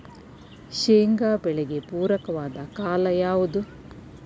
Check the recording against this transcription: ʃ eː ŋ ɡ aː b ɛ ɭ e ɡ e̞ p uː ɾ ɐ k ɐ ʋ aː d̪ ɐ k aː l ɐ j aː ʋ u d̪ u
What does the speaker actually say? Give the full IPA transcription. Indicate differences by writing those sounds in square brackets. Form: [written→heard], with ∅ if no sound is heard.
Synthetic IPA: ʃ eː ŋ ɡ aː b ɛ ɭ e ɡ e̞ p uː ɾ ɐ k ɐ ʋ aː d̪ ɐ k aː l ɐ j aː ʋ u d̪ u

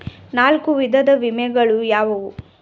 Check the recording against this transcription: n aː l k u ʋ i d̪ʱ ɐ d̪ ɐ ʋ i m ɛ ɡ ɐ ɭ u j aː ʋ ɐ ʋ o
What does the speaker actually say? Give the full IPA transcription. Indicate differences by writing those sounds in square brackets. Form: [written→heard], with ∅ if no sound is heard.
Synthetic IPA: n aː l k u ʋ i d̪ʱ ɐ d̪ ɐ ʋ i m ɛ ɡ ɐ ɭ u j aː ʋ ɐ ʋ [o→u]

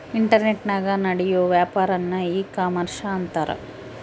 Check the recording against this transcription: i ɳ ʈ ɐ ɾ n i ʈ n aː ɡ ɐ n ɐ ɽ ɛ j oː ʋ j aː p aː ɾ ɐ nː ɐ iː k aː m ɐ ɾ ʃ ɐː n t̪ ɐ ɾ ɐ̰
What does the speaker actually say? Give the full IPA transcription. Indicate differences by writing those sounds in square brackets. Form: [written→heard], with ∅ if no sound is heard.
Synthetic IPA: i ɳ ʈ ɐ ɾ n [i→e] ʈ n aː ɡ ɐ n ɐ ɽ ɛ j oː ʋ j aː p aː ɾ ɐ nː ɐ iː k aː m ɐ ɾ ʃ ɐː n t̪ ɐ ɾ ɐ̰

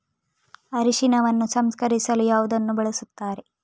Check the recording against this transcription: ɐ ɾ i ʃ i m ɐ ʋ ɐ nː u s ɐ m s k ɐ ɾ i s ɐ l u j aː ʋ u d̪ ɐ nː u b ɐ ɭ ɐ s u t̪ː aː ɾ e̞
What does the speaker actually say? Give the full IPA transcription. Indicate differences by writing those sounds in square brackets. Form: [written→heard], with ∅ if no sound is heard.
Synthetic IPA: ɐ ɾ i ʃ i [m→n] ɐ ʋ ɐ nː u s ɐ m s k ɐ ɾ i s ɐ l u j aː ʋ u d̪ ɐ nː u b ɐ ɭ ɐ s u t̪ː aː ɾ e̞

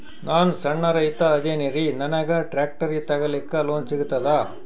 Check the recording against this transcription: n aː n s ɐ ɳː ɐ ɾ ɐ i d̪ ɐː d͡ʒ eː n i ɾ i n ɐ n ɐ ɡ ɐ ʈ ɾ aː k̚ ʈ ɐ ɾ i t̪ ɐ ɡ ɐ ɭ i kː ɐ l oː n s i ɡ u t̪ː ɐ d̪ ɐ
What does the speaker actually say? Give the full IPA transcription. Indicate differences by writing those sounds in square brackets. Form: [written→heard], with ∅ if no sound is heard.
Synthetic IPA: n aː n s ɐ ɳː ɐ ɾ ɐ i [d̪→t̪] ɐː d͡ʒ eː n i ɾ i n ɐ n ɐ ɡ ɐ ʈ ɾ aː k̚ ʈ ɐ ɾ i t̪ ɐ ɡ ɐ [ɭ→l] i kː ɐ l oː n s i ɡ u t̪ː ɐ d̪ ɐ

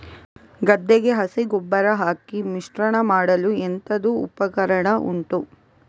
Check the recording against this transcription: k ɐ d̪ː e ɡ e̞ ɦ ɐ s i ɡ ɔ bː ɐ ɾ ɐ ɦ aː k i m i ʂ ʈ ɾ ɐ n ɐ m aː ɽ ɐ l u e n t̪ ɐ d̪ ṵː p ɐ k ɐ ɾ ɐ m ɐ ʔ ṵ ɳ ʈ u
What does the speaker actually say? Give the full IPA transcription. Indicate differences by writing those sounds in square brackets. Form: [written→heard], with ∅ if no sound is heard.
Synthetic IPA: [k→ɡ] ɐ d̪ː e ɡ e̞ ɦ ɐ s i ɡ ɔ bː ɐ ɾ ɐ ɦ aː k i m i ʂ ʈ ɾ ɐ [n→ɳ] ɐ m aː ɽ ɐ l u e n t̪ ɐ d̪ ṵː p ɐ k ɐ ɾ ɐ [m→ɳ] ɐ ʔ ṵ ɳ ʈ u

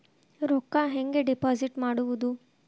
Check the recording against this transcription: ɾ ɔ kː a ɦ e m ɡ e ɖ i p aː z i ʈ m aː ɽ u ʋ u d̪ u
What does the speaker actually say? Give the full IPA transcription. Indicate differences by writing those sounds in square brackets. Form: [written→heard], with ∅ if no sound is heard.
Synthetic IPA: ɾ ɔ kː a ɦ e [m→ŋ] ɡ e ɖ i p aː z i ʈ m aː ɽ u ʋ u d̪ u

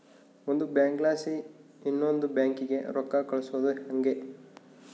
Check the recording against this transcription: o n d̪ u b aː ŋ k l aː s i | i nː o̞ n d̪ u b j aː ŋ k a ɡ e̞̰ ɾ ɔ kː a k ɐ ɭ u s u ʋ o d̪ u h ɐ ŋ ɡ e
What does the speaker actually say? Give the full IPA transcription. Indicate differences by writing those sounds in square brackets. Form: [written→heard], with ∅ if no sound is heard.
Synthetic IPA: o n d̪ u b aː ŋ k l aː s i | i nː o̞ n d̪ u b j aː ŋ k [a→i] ɡ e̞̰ ɾ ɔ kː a k ɐ ɭ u s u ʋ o d̪ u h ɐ ŋ ɡ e

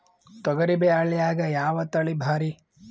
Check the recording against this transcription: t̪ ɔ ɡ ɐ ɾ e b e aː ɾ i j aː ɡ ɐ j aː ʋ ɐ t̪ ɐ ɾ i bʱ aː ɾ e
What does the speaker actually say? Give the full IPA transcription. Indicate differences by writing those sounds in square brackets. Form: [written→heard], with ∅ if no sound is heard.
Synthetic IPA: t̪ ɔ ɡ ɐ ɾ [e→i] b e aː [ɾ→ɭ] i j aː ɡ ɐ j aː ʋ ɐ t̪ ɐ [ɾ→ɭ] i bʱ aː ɾ [e→i]

